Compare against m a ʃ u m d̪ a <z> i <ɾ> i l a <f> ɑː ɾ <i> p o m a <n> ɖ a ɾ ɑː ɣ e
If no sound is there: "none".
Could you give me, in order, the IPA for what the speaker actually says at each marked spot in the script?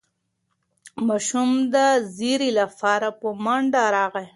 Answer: z, ɾ, f, a, ɳ

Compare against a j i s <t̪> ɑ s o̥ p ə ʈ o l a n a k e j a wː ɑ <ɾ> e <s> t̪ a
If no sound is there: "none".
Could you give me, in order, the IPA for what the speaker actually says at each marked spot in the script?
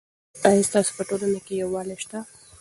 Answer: t̪, l, ʃ

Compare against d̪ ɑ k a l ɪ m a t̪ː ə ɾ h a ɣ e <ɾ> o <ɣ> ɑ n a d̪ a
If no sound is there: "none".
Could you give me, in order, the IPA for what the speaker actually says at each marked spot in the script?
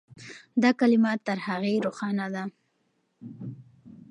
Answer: ɾ, x

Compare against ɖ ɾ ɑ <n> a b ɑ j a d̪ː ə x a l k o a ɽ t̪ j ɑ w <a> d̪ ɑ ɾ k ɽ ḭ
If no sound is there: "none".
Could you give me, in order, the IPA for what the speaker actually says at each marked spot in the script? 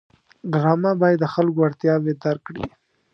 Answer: m, e

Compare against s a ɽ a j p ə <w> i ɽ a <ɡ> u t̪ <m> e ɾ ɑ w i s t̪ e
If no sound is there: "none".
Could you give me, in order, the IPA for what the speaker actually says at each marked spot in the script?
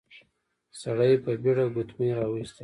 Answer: b, ɡ, m

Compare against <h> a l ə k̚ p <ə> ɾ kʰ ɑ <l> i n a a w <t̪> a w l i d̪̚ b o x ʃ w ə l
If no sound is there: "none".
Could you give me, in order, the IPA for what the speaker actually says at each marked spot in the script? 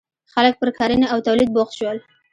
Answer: x, ə, ɾ, t̪

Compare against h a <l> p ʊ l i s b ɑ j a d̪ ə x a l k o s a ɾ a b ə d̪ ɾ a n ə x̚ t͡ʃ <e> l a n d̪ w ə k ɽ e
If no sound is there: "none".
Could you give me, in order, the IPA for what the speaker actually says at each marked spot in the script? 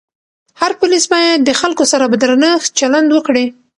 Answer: ɾ, a

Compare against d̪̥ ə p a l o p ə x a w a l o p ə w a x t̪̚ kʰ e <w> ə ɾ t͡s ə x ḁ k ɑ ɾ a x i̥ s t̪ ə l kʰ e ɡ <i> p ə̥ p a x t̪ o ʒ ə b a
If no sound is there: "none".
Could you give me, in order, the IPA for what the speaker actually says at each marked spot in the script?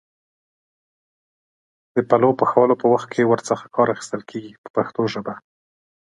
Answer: w, i

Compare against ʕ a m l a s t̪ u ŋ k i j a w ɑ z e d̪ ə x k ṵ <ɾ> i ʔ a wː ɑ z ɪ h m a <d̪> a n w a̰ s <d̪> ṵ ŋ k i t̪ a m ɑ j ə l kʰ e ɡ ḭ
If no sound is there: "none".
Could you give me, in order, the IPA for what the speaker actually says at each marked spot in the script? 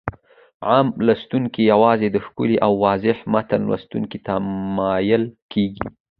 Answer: l, t̪, t̪

